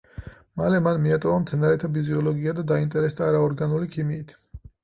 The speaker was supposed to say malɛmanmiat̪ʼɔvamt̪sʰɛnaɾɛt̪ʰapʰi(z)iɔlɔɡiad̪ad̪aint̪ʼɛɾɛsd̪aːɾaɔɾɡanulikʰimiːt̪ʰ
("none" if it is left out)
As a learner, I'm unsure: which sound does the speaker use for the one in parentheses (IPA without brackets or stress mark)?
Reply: z